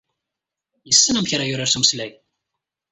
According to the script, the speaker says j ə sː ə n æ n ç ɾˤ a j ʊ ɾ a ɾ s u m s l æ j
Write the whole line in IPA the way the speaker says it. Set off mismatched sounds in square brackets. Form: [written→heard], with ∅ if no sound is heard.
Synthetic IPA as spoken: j ə sː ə n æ [n→m] ç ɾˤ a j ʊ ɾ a ɾ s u m s l æ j